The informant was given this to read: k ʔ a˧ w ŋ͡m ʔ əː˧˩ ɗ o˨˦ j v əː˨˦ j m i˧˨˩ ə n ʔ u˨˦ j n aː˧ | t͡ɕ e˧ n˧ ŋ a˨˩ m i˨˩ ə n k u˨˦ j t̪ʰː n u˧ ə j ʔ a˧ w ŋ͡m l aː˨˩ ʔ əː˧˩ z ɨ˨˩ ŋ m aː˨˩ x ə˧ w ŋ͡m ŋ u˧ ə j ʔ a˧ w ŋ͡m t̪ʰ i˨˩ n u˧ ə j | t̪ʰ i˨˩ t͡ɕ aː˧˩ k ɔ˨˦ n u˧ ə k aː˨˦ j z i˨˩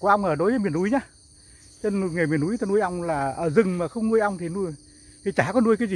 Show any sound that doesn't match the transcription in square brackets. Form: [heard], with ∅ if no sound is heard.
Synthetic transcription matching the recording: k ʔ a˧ w ŋ͡m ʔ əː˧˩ ɗ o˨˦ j v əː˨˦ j m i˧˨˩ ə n ʔ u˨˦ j [ɲ] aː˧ | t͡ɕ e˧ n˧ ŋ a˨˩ m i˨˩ ə n [ʔ] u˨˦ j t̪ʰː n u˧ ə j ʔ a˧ w ŋ͡m l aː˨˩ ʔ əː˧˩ z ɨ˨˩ ŋ m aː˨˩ x ə˧ w ŋ͡m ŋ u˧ ə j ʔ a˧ w ŋ͡m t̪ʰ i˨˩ n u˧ ə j | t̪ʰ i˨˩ t͡ɕ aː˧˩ k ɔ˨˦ n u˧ ə k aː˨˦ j z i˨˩